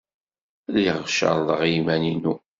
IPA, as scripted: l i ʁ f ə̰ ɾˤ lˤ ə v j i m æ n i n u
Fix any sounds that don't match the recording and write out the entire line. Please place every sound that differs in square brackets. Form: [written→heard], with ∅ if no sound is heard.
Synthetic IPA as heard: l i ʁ [f→ʃ] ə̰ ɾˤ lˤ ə [v→ʁ] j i m æ n i n u